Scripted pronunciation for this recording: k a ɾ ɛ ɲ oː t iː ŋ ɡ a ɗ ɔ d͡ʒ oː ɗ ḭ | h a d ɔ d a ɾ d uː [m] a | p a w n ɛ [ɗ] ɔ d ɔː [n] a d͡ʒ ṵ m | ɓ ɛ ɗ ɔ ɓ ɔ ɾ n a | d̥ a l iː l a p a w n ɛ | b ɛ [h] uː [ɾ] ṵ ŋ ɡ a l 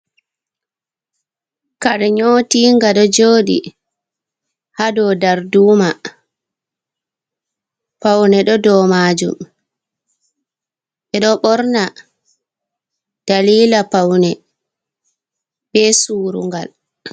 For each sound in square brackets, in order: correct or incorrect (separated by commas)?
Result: correct, correct, incorrect, incorrect, correct